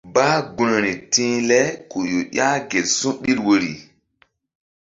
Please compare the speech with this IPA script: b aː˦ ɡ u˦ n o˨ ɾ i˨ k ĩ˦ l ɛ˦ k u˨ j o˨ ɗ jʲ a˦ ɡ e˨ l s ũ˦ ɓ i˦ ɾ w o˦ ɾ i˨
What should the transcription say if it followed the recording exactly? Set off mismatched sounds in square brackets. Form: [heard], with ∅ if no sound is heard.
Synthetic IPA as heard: b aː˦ ɡ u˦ n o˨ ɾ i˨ [t] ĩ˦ l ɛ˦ k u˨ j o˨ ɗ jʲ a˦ ɡ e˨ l s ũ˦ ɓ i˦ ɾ w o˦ ɾ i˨

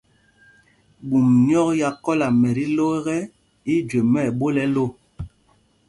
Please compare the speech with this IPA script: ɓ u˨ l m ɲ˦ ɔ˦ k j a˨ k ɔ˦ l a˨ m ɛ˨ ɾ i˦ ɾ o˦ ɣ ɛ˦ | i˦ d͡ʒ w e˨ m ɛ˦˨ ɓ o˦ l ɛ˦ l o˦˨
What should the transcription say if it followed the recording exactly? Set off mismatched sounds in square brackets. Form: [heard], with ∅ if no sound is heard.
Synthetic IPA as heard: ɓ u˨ [∅] m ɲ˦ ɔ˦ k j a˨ k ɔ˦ l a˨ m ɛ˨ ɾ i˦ [l] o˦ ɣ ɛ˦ | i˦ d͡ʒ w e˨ m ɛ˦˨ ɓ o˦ l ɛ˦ l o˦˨

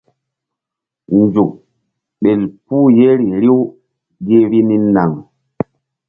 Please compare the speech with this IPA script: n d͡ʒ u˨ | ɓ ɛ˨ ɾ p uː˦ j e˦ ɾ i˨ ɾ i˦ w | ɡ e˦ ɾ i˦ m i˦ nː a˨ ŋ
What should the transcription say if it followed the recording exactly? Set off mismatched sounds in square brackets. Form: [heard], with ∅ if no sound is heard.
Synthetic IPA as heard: n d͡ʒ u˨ | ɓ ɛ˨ [l] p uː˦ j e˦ ɾ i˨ ɾ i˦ w | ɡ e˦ ɾ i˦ [n] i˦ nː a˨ ŋ

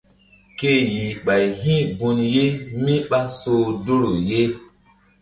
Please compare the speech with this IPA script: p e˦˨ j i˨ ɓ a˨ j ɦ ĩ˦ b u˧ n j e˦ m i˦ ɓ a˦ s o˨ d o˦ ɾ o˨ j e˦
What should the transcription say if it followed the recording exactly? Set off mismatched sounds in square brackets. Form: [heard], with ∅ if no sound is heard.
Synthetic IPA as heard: [k] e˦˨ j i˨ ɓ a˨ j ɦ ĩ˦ b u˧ n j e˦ m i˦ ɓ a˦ s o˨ d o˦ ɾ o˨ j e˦

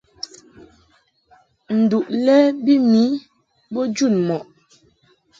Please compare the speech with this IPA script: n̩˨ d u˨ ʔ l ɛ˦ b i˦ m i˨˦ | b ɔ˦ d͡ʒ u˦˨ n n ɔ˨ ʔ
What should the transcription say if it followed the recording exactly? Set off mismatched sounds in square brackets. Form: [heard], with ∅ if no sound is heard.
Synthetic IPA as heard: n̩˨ d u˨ ʔ l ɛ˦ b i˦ m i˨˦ | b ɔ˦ d͡ʒ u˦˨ n [m] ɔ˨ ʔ

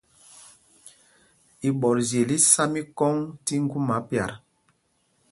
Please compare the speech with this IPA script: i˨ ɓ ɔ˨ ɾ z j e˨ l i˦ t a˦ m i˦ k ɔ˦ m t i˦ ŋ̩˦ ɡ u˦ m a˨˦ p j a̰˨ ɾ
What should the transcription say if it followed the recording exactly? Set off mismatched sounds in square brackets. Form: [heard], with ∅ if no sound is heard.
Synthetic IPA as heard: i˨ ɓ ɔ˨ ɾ z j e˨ l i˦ [s] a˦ m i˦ k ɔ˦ [ŋ] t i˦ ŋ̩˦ ɡ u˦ m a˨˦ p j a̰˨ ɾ

